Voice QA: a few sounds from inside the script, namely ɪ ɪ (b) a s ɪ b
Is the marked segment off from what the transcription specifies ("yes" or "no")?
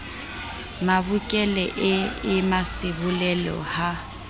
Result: yes